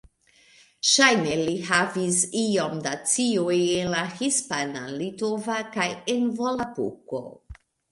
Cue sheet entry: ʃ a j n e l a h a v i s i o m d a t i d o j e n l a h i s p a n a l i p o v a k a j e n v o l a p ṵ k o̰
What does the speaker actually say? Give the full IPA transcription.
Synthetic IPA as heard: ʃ a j n e l i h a v i s i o m d a t͡s i o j e n l a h i s p a n a l i t o v a k a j e n v o l a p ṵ k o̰